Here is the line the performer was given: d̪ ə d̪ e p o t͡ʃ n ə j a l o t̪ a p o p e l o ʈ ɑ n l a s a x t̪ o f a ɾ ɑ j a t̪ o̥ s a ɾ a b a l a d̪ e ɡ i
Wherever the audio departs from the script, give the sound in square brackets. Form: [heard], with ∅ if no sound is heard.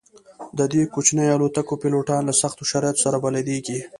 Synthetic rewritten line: d̪ ə d̪ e [k] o t͡ʃ n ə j a l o t̪ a [k] o p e l o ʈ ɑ n l a s a x t̪ o [ʃ] a ɾ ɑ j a t̪ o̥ s a ɾ a b a l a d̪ e ɡ i